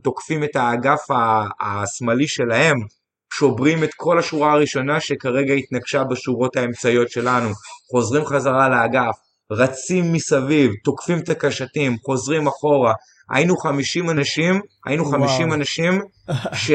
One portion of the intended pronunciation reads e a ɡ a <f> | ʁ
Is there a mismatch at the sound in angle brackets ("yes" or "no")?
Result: no